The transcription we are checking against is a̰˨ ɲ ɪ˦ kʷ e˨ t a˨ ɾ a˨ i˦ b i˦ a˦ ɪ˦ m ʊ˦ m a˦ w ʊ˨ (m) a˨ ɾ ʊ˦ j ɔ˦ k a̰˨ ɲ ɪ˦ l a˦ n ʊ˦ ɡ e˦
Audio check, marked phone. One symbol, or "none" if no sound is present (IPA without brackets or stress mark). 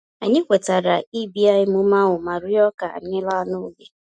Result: m